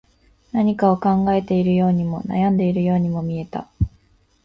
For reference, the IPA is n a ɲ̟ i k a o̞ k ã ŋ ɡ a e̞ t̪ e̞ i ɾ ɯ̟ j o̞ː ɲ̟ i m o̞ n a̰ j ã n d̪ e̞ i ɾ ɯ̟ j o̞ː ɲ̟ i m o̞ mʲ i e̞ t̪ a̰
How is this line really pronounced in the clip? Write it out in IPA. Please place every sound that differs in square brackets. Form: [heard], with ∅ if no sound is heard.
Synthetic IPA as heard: n a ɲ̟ i k a o̞ k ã ŋ ɡ a e̞ t̪ e̞ i ɾ ɯ̟ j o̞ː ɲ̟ i m o̞ n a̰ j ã n d̪ e̞ i ɾ ɯ̟ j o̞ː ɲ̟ i m o̞ mʲ i e̞ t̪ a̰